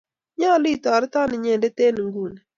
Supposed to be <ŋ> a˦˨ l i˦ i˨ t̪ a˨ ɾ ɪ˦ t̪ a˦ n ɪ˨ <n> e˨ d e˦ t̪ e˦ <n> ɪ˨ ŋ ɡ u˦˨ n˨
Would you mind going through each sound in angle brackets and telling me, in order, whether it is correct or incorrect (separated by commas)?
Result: incorrect, incorrect, correct